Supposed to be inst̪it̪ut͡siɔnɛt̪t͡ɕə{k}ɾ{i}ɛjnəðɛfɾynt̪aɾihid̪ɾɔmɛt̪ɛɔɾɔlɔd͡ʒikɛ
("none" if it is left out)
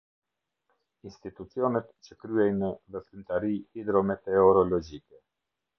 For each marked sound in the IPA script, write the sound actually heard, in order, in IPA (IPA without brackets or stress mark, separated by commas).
k, y